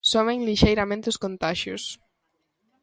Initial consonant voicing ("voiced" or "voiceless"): voiceless